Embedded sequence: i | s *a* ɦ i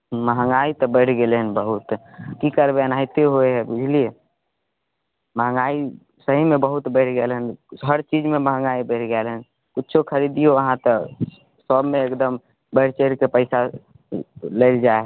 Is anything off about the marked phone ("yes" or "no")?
yes